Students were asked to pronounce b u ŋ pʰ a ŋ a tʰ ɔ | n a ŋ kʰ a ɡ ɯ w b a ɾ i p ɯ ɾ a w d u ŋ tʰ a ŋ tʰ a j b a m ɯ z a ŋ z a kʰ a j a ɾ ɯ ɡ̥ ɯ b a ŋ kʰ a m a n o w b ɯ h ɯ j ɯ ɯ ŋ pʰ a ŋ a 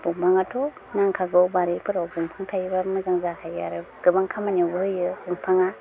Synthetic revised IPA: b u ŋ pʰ a ŋ a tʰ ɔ | n a ŋ kʰ a ɡ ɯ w b a ɾ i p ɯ ɾ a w b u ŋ pʰ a ŋ tʰ a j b a m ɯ z a ŋ z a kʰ a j a ɾ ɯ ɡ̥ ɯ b a ŋ kʰ a m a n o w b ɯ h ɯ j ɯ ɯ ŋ pʰ a ŋ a